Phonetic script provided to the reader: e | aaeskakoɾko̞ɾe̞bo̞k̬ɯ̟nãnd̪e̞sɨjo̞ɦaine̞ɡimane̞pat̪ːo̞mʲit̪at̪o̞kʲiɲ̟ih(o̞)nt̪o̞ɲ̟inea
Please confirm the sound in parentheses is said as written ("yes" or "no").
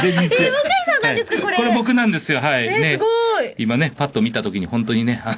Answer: no